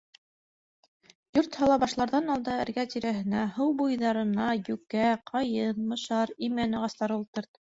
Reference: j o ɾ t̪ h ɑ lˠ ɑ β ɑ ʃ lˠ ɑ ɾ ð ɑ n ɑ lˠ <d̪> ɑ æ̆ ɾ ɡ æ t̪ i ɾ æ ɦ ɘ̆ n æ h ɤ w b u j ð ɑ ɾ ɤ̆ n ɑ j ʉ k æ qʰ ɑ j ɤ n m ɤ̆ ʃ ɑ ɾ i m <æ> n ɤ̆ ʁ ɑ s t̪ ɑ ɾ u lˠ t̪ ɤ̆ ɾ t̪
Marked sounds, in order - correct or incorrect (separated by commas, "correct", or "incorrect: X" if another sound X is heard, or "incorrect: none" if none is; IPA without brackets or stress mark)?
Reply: correct, correct